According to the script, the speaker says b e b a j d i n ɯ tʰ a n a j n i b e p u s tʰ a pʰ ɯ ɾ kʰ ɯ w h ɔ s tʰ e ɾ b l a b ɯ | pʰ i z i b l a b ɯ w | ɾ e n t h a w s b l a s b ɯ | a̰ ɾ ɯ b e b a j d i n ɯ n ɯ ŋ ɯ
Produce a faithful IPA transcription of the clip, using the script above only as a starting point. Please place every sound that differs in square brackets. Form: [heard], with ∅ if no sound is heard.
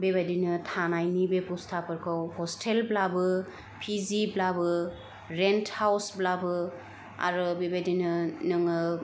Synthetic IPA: b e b a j d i n ɯ tʰ a n a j n i b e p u s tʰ a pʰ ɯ ɾ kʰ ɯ w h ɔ s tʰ e [l] b l a b ɯ | pʰ i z i b l a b ɯ [∅] | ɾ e n t h a w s b l a [∅] b ɯ | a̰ ɾ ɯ b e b a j d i n ɯ n ɯ ŋ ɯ